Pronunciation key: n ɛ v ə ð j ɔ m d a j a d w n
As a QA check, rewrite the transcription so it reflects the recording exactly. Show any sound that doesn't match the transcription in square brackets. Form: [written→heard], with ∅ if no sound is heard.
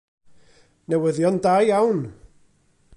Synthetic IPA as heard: n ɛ [v→w] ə ð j ɔ [m→n] d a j a [d→∅] w n